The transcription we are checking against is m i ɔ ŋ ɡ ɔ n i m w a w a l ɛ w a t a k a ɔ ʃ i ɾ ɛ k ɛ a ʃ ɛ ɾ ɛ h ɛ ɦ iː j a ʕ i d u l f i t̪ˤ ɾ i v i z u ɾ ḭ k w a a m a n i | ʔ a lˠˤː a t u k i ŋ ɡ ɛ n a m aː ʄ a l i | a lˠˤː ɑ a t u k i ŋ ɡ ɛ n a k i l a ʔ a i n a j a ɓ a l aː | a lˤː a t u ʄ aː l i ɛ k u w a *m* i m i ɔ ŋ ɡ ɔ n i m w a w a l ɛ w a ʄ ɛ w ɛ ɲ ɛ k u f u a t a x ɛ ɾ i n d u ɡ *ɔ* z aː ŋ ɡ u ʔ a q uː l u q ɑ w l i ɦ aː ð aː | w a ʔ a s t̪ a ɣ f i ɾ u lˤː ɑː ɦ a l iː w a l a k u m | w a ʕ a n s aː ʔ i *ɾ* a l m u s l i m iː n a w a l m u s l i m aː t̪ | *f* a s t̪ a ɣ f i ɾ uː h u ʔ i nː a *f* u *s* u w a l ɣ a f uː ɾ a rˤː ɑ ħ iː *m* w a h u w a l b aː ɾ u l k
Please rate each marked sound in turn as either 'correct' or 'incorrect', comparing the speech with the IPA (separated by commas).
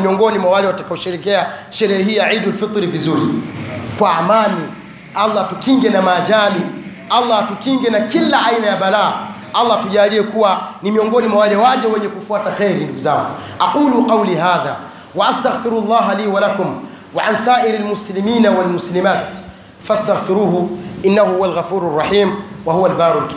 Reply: incorrect, incorrect, correct, correct, incorrect, incorrect, correct